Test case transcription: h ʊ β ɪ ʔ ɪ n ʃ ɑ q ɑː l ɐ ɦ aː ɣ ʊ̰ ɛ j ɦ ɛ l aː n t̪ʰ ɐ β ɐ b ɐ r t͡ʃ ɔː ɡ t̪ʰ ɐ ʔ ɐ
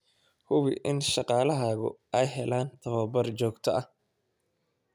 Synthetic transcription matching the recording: h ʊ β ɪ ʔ ɪ n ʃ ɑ q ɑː l ɐ ɦ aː ɣ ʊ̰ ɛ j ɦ ɛ l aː n t̪ʰ ɐ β ɐ b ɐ r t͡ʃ ɔː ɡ t̪ʰ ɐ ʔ ɐ